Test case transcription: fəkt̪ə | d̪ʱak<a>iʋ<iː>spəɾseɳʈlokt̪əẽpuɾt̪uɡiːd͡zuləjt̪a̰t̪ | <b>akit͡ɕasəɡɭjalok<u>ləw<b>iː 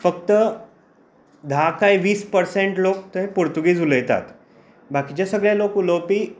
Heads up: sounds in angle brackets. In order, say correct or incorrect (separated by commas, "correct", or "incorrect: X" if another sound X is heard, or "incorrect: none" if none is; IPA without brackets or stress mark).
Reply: correct, correct, correct, correct, incorrect: p